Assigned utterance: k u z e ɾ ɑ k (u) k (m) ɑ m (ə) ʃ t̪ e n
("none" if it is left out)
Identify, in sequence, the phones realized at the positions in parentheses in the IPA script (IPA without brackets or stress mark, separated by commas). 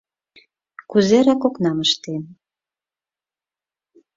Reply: o, n, ə